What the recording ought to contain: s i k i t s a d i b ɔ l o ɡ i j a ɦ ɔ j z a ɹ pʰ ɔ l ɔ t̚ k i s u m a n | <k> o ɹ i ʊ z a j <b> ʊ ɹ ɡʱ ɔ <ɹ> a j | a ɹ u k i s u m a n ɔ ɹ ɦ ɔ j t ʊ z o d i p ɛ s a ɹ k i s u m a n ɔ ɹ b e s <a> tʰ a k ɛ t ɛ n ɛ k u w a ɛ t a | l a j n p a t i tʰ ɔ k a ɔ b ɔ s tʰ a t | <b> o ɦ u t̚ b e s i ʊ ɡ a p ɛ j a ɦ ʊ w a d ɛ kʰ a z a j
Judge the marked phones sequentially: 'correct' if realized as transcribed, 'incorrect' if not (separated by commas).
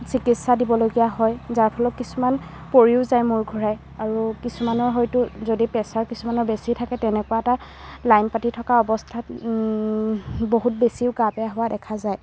incorrect, incorrect, correct, incorrect, correct